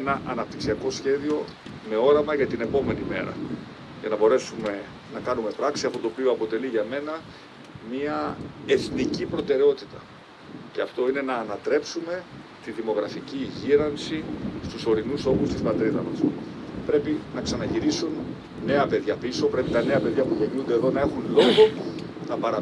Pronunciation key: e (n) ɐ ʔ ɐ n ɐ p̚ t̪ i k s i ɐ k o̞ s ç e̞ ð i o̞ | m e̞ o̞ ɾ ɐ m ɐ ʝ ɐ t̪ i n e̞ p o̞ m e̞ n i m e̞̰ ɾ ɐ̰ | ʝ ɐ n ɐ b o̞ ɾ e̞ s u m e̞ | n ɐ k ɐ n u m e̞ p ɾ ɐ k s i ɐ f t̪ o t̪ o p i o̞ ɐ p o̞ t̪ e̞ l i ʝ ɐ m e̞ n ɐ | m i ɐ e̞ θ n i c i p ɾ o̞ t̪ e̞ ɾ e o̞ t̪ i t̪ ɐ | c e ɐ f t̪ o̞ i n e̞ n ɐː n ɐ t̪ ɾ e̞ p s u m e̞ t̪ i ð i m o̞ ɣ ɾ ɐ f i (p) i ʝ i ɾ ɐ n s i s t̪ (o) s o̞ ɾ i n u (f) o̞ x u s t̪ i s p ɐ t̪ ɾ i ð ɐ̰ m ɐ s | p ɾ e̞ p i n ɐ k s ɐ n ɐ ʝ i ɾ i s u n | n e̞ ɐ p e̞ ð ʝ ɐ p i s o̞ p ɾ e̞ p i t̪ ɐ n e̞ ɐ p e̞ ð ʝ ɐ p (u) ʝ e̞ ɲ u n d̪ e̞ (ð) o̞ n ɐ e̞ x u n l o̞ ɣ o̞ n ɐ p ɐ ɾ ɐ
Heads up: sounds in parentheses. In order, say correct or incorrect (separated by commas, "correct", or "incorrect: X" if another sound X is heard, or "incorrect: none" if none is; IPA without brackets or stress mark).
correct, incorrect: c, incorrect: u, incorrect: s, correct, correct